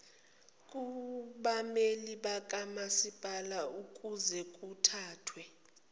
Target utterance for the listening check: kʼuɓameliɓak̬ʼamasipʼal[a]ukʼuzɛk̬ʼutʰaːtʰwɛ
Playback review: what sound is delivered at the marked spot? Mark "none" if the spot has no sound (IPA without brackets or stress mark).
a